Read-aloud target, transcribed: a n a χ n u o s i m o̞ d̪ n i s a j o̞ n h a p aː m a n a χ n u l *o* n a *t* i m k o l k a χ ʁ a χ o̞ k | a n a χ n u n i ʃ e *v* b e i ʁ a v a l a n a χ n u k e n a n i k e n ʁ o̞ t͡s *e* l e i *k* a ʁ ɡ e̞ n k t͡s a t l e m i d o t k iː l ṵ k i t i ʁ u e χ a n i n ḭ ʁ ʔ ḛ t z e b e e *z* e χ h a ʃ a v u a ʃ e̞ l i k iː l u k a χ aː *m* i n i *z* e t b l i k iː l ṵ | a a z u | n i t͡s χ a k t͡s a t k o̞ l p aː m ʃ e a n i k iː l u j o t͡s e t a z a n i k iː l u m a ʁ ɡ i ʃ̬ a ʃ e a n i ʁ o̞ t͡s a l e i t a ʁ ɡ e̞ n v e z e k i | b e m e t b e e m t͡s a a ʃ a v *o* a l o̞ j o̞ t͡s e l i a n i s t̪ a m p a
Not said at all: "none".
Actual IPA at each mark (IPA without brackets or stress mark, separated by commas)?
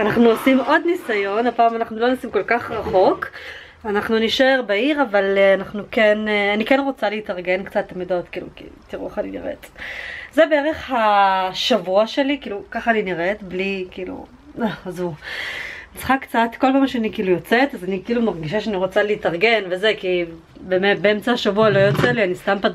o, s, ʁ, a, t, ʁ, n, ʁ, u